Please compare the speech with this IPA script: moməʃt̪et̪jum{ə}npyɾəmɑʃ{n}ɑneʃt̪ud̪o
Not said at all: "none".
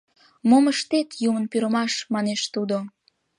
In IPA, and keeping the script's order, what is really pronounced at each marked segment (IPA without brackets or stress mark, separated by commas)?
ə, m